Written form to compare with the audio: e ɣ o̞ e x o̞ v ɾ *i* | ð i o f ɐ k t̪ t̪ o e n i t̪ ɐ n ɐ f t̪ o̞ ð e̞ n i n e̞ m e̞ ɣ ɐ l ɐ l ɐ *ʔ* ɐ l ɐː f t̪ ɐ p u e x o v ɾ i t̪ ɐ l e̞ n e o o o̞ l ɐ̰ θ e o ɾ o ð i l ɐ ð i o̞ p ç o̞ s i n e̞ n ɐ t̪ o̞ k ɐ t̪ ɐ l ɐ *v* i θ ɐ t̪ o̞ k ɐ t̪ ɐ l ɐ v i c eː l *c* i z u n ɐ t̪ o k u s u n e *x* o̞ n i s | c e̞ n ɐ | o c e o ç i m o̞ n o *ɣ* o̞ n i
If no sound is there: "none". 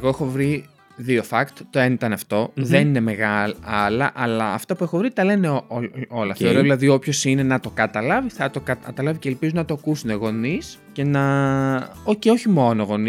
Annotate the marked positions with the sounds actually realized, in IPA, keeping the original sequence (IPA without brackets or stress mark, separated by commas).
i, ʔ, v, p, ɣ, ɣ